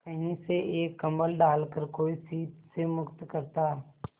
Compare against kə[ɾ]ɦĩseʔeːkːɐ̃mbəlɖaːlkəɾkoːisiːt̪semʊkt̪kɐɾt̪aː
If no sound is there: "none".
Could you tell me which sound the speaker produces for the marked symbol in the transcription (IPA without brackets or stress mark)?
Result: none